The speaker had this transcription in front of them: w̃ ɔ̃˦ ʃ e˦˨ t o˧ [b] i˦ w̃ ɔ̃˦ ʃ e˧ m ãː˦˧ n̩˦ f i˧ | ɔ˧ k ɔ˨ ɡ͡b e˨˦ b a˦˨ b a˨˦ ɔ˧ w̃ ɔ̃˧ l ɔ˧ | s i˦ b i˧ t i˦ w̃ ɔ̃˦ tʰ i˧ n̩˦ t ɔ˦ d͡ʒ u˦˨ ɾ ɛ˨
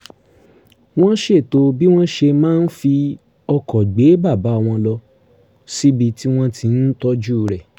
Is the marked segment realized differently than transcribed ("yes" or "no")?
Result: no